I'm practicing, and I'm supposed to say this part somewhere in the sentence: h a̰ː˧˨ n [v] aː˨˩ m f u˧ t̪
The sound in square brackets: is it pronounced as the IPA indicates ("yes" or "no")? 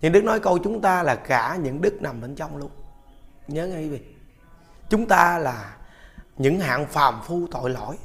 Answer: no